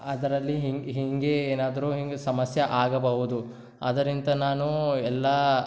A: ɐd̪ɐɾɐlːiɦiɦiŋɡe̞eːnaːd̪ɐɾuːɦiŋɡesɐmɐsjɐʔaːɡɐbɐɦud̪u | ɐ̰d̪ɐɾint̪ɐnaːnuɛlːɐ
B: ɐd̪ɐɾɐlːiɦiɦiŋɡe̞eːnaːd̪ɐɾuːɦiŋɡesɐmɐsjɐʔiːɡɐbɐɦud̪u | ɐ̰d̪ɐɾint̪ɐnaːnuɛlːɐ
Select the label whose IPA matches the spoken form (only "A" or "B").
A